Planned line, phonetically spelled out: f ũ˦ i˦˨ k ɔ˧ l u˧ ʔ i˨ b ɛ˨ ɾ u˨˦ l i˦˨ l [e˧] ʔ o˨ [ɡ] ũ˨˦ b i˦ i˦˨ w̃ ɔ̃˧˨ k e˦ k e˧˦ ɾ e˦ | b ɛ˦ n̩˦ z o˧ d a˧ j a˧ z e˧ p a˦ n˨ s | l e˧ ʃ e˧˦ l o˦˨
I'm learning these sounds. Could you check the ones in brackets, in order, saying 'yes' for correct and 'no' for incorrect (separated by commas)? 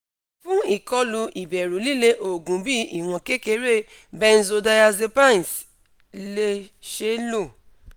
yes, yes